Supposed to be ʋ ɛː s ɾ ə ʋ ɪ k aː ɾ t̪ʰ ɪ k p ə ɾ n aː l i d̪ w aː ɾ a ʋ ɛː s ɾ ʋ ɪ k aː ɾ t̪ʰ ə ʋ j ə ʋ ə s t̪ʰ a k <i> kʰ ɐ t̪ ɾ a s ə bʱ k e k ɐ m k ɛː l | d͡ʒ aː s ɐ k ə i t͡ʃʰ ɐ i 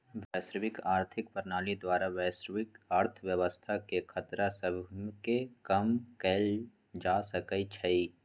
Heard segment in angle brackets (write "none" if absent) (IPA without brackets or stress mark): e